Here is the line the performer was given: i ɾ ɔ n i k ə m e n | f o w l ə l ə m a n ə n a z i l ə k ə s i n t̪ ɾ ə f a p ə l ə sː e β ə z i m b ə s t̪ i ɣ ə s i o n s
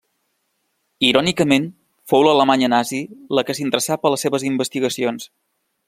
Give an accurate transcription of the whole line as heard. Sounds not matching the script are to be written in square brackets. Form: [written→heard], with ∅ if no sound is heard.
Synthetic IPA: i ɾ ɔ n i k ə m e n | f o w l ə l ə m a [n→ɲ] ə n a z i l ə k ə s i n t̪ ɾ ə [f→s] a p ə l ə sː e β ə z i m b ə s t̪ i ɣ ə s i o n s